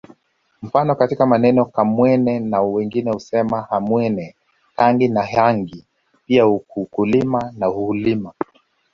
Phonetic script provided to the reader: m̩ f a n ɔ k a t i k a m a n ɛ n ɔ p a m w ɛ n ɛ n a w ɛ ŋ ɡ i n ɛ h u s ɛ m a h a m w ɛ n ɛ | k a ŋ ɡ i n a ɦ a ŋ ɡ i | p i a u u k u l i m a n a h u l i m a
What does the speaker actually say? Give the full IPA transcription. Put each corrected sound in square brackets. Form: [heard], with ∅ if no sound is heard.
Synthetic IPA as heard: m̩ f a n ɔ k a t i k a m a n ɛ n ɔ [k] a m w ɛ n ɛ n a w ɛ ŋ ɡ i n ɛ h u s ɛ m a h a m w ɛ n ɛ | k a ŋ ɡ i n a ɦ a ŋ ɡ i | p i a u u k u l i m a n a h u l i m a